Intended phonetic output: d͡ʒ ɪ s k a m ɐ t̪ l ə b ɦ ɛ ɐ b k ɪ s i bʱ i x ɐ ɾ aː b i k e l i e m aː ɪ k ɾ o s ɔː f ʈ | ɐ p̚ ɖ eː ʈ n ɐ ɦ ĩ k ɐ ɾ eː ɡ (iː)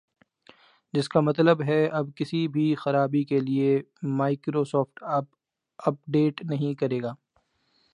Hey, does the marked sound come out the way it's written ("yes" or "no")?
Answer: no